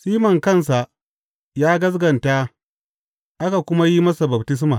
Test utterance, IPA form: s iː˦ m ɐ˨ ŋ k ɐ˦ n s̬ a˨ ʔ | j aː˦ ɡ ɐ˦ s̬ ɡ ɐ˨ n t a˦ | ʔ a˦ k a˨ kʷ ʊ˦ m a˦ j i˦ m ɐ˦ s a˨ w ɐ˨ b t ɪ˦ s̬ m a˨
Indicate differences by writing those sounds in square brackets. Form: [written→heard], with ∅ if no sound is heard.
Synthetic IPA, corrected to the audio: s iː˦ m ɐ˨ ŋ k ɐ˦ n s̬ a˨ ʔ | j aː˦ ɡ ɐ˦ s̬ ɡ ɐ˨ n t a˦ | ʔ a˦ k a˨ kʷ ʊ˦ m a˦ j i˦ m ɐ˦ s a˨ [w→b] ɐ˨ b t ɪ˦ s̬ m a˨